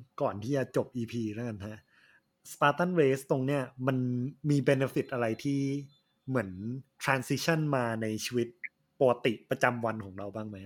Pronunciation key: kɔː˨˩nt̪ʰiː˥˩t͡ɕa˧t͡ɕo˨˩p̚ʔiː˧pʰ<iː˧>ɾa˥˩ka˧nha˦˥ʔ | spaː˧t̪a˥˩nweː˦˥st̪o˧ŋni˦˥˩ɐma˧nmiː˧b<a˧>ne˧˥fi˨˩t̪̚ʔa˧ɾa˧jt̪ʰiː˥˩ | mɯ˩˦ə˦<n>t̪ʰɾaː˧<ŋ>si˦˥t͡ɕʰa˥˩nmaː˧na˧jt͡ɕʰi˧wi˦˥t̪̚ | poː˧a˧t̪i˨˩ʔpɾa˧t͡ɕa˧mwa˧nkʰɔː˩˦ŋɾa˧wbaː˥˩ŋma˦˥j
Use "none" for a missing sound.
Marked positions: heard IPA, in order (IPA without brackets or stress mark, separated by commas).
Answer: iː˧, e˧, n, n